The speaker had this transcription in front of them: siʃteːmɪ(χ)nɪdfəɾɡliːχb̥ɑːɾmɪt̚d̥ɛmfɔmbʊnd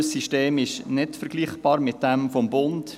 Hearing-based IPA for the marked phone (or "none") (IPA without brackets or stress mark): ʃ